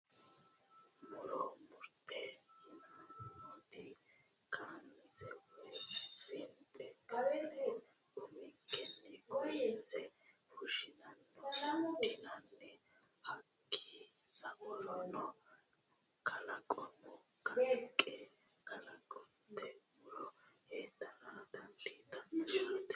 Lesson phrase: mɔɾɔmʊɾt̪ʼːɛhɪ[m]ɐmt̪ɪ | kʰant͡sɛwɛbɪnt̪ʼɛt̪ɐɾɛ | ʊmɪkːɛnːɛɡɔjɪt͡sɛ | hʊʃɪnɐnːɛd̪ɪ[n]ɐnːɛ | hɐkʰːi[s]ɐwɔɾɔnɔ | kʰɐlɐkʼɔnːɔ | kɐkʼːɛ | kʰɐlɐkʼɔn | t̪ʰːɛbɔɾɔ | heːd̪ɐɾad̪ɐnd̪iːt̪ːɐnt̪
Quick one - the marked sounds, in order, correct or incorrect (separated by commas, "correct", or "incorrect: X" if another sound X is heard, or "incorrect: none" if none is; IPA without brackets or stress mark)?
incorrect: n, correct, correct